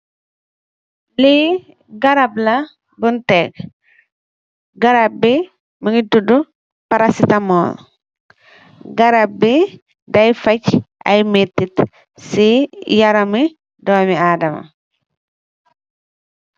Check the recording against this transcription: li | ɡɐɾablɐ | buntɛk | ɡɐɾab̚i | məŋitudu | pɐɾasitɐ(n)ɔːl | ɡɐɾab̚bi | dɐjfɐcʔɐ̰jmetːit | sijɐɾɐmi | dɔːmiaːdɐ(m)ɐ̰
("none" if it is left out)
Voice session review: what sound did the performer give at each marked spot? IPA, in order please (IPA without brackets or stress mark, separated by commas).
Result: m, m